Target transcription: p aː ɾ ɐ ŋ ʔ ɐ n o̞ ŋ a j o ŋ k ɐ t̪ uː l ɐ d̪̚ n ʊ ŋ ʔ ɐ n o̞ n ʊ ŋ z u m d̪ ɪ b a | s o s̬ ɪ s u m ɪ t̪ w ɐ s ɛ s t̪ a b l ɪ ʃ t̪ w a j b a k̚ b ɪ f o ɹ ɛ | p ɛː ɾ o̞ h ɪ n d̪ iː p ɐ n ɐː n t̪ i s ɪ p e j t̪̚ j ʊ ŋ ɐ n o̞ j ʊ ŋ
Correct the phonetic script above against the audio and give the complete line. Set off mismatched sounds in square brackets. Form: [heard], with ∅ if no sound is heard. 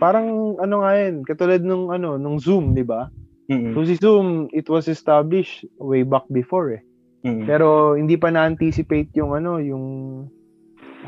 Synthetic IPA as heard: p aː ɾ ɐ ŋ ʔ ɐ n o̞ ŋ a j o [n] k ɐ t̪ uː l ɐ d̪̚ n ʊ ŋ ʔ ɐ n o̞ n ʊ ŋ z u m d̪ ɪ b a | s o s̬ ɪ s u m ɪ t̪ w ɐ s ɛ s t̪ a b l ɪ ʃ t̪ w [e] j b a k̚ b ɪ f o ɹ ɛ | p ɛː ɾ o̞ h ɪ n d̪ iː p ɐ n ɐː n t̪ i s ɪ p e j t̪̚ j ʊ ŋ ɐ n o̞ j ʊ ŋ